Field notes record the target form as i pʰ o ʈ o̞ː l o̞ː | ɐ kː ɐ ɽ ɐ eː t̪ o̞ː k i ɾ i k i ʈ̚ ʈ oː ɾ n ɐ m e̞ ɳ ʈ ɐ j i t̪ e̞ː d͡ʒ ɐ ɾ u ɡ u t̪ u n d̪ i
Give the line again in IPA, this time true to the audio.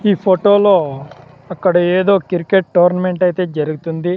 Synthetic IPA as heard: iː pʰ o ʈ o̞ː l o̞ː | ɐ kː ɐ ɽ ɐ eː d̪ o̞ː k i ɾ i k e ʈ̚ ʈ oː ɾ n ɐ m e̞ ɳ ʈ ɐ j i t̪ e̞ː d͡ʒ ɐ ɾ u ɡ u t̪ u n d̪ i